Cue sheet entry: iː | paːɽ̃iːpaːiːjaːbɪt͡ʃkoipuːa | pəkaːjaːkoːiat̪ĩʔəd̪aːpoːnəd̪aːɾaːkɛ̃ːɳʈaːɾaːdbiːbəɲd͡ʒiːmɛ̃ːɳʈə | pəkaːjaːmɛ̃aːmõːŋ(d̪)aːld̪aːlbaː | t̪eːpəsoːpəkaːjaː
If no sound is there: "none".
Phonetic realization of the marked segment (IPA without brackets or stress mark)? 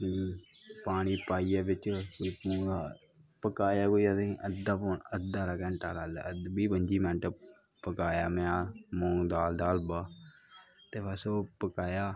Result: d̪